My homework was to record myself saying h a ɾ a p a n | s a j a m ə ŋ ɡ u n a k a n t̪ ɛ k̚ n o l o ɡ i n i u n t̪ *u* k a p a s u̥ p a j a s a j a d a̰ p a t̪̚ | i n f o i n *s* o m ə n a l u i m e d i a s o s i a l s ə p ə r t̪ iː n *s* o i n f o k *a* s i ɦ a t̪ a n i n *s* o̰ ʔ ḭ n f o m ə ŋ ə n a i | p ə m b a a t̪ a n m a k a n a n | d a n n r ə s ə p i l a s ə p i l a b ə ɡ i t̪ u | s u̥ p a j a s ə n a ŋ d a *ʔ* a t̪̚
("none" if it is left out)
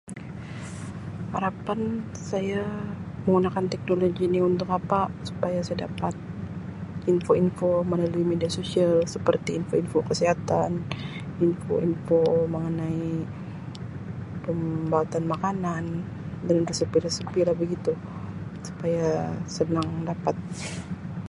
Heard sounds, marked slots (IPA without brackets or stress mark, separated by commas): ʊ, f, f, ə, f, p